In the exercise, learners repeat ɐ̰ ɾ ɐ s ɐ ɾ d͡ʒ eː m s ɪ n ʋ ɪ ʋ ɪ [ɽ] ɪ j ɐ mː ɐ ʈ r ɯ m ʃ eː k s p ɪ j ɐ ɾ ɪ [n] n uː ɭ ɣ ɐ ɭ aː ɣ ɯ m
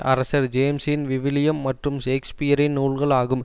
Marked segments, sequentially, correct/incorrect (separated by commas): incorrect, correct